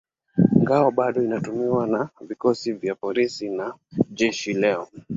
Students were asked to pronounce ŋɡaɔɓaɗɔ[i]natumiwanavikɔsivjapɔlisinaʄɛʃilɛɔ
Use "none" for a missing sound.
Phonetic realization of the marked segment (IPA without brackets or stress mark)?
i